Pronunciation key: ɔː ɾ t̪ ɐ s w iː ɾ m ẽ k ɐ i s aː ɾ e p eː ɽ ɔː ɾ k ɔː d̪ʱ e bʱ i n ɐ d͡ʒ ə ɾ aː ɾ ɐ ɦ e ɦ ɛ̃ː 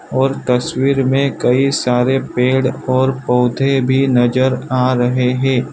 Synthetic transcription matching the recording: ɔː ɾ t̪ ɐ s w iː ɾ m ẽ k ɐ i s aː ɾ e p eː ɽ ɔː ɾ p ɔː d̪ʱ e bʱ i n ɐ d͡ʒ ə ɾ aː ɾ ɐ ɦ e ɦ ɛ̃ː